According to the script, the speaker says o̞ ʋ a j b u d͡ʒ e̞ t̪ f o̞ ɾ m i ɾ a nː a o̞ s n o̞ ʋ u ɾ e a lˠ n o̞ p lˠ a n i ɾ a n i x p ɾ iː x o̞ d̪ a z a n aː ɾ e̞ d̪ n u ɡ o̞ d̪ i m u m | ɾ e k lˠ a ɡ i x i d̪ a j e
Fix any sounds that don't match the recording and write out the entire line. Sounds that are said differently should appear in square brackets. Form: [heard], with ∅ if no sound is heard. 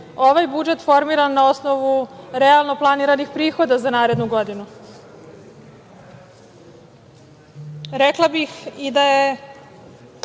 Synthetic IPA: o̞ ʋ a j b u d͡ʒ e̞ t̪ f o̞ ɾ m i ɾ a nː a o̞ s n o̞ ʋ u ɾ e a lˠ n o̞ p lˠ a n i ɾ a n i x p ɾ iː x o̞ d̪ a z a n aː ɾ e̞ d̪ n u ɡ o̞ d̪ i [n] u [∅] | ɾ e k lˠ a [b] i x i d̪ a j e

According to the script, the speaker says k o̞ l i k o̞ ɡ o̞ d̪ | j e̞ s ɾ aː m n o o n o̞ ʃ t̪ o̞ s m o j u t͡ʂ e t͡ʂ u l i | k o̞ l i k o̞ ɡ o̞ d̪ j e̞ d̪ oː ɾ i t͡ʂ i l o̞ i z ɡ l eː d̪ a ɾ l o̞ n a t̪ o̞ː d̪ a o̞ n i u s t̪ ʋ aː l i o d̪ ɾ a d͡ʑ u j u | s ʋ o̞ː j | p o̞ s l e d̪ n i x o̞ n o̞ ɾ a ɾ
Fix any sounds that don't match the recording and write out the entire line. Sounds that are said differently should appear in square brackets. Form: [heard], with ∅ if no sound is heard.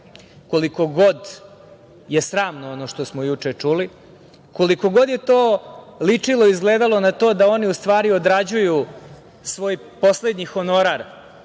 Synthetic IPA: k o̞ l i k o̞ ɡ o̞ d̪ | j e̞ s ɾ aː m n o o n o̞ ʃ t̪ o̞ s m o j u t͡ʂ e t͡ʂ u l i | k o̞ l i k o̞ ɡ o̞ d̪ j e̞ [t̪] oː [l] i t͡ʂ i l o̞ i z ɡ l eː d̪ a [∅] l o̞ n a t̪ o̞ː d̪ a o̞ n i u s t̪ ʋ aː [ɾ] i o d̪ ɾ a d͡ʑ u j u | s ʋ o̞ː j | p o̞ s l e d̪ [ɲ] i x o̞ n o̞ ɾ a ɾ

